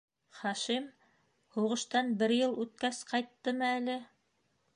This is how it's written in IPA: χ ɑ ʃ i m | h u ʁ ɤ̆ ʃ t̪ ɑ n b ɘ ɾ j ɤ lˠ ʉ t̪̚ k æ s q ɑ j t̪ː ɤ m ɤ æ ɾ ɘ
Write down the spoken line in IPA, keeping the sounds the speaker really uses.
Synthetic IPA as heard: χ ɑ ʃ i m | h u ʁ ɤ̆ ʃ t̪ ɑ n b ɘ ɾ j ɤ lˠ ʉ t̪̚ k æ s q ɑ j t̪ː ɤ m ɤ æ l ɘ